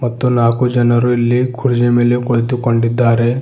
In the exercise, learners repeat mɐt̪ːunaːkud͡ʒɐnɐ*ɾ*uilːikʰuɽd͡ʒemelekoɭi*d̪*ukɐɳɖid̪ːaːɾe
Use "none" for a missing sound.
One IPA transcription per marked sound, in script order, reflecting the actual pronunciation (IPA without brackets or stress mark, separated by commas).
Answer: ɾ, t̪